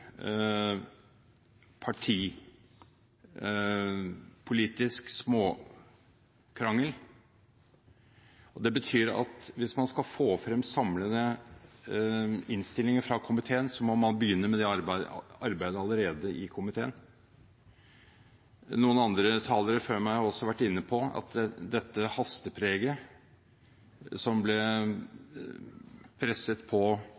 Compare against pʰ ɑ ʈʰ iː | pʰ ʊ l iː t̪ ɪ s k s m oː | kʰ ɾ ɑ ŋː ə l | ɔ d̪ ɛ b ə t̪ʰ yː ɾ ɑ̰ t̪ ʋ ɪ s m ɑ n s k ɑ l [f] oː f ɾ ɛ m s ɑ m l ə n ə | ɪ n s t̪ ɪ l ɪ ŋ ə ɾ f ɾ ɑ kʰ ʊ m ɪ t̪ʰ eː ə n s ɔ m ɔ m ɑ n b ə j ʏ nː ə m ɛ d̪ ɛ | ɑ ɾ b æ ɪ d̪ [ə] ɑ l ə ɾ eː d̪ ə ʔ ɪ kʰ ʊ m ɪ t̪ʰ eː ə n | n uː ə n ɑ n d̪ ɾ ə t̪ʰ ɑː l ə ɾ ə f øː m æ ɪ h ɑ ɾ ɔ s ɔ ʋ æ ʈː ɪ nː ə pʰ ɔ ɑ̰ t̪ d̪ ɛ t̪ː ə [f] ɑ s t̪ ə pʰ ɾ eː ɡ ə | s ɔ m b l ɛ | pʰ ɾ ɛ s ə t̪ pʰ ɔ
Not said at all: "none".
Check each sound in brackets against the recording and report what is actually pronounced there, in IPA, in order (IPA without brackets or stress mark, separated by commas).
f, ə, h